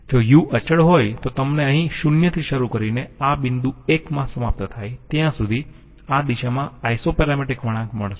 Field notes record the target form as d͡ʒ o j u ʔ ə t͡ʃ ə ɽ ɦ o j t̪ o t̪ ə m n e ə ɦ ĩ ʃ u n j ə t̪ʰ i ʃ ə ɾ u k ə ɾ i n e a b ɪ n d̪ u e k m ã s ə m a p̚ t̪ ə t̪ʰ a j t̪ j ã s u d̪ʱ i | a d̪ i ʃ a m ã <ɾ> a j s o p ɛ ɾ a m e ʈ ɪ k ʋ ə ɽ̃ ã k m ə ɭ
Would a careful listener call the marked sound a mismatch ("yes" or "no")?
yes